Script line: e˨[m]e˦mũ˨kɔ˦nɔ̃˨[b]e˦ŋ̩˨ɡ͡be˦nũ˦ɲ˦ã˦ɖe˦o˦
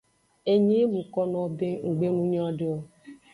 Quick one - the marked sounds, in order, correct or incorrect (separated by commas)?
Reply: incorrect, correct